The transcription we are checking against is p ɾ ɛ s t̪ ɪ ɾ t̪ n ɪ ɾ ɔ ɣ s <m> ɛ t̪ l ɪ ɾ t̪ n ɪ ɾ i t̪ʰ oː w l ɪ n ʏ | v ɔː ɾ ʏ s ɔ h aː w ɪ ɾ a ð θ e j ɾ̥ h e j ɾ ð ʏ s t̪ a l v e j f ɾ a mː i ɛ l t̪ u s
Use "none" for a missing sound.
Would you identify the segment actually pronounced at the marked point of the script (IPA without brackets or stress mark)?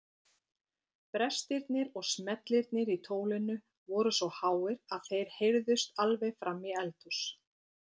m